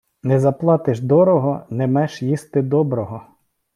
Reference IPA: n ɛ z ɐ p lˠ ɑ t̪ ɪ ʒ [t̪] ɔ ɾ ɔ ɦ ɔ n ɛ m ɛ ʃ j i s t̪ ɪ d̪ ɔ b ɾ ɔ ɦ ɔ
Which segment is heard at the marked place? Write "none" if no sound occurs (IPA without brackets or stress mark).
d̪